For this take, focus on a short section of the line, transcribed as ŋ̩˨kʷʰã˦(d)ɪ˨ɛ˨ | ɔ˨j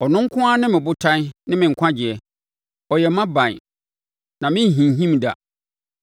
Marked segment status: incorrect: d͡ʑ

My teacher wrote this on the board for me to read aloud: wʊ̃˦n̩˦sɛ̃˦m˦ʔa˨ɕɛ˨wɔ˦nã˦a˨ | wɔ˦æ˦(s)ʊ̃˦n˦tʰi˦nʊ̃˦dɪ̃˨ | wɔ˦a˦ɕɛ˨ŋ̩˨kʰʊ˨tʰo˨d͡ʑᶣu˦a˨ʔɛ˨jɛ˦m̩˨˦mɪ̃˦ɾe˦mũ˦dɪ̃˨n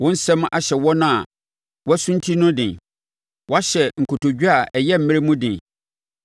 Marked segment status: correct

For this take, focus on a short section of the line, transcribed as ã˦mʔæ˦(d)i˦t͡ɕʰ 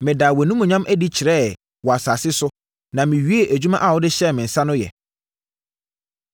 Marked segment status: correct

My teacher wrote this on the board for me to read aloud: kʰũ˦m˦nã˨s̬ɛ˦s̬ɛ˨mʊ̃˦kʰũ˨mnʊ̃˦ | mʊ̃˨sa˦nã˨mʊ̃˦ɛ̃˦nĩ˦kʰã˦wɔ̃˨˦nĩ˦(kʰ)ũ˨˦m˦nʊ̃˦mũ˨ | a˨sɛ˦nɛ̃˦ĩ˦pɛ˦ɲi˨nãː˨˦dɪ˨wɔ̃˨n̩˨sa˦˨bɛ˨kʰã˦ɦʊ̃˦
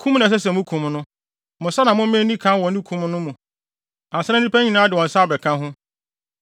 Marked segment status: correct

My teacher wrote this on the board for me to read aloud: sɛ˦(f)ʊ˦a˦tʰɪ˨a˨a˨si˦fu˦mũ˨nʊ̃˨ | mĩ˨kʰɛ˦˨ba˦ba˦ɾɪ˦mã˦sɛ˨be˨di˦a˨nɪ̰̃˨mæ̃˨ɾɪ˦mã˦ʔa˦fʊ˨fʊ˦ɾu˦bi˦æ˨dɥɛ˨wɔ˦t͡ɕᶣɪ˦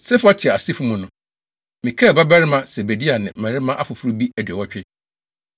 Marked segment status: correct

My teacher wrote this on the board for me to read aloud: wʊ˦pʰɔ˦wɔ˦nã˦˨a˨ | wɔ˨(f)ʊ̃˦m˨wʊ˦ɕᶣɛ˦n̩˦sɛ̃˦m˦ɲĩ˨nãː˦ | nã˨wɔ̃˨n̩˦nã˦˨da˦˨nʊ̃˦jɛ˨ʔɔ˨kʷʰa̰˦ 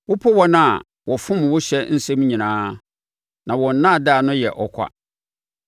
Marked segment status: correct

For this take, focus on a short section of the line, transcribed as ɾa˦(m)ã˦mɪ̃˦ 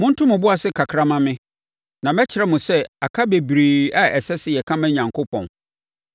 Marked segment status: correct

